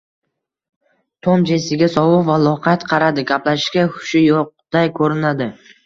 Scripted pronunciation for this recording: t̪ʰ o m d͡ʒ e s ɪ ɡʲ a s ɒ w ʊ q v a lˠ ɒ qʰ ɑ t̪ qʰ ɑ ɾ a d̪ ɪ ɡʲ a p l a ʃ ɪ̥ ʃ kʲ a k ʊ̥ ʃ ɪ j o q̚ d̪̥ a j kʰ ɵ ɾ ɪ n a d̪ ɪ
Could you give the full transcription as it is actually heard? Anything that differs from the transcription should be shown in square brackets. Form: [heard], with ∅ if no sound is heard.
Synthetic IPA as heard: t̪ʰ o m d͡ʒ e s ɪ ɡʲ a s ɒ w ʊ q v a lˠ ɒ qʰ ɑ t̪ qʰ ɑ ɾ a d̪ ɪ ɡʲ a p l a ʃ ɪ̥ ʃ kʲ a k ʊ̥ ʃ ɪ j o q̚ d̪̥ a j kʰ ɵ ɾ ɪ n a d̪ ɪ